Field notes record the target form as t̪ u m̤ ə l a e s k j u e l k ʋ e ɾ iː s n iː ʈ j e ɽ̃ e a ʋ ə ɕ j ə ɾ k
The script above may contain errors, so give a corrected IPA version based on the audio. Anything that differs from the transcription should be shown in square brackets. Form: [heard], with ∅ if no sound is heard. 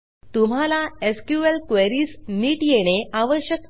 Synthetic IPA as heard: t̪ u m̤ [a] l a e s k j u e l k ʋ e ɾ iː s n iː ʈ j e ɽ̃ e a ʋ ə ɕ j ə [∅] k